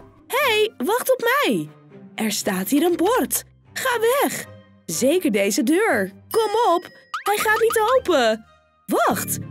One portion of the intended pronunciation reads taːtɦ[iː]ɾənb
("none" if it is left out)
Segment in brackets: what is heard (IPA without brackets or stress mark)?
iː